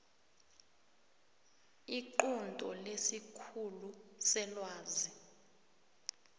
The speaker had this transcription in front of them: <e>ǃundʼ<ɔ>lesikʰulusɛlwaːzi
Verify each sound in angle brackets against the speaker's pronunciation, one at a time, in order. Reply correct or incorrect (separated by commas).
incorrect, correct